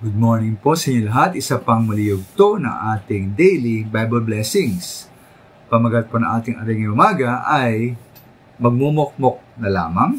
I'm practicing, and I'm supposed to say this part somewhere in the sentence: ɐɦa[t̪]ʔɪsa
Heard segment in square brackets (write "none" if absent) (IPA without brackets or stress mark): t̪